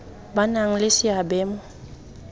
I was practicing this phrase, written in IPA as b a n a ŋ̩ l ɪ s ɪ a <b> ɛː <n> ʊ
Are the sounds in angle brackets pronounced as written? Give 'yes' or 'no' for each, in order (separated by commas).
yes, no